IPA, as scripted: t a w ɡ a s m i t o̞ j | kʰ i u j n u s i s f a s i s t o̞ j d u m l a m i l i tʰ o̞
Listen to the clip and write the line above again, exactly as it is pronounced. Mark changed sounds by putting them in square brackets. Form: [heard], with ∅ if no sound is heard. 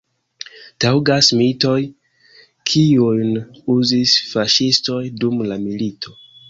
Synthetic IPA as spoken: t a w ɡ a s m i t o̞ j | kʰ i u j n u [z] i s f a [ʃ] i s t o̞ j d u m l a m i l i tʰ o̞